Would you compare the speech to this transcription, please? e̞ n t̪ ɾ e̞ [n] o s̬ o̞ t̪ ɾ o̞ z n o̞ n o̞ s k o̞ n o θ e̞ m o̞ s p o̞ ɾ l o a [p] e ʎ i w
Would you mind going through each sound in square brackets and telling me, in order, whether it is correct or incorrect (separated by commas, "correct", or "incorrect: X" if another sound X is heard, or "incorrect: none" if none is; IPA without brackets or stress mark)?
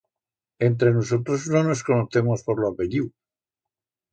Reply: correct, correct